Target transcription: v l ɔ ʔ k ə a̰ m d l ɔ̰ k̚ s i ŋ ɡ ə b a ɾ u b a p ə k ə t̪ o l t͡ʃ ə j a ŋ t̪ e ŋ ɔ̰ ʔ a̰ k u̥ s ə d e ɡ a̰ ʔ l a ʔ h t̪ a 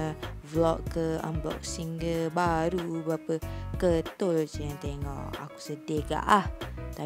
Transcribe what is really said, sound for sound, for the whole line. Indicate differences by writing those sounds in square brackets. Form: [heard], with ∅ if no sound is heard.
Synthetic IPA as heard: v l ɔ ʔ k ə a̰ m [b] l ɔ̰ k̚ s i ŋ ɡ ə b a ɾ u b a p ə k ə t̪ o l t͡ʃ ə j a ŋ t̪ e ŋ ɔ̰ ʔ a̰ k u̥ s ə d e ɡ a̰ ʔ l a [∅] h t̪ a